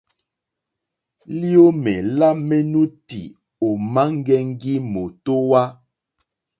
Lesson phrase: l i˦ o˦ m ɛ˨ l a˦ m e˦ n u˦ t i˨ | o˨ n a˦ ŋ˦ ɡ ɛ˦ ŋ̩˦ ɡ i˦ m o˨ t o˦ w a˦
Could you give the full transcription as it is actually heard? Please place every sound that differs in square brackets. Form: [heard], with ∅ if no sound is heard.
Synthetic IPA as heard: l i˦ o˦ m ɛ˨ l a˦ m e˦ n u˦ t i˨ | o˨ [m] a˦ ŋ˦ ɡ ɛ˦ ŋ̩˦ ɡ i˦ m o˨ t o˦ w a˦